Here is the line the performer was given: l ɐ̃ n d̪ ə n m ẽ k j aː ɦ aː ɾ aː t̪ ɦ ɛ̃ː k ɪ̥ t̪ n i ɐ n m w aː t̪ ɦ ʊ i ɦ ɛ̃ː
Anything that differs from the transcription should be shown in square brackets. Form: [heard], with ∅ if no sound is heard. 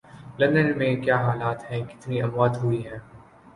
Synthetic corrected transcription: l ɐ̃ n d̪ ə n m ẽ k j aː ɦ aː [l] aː t̪ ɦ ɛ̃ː k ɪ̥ t̪ n i ɐ [∅] m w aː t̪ ɦ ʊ i ɦ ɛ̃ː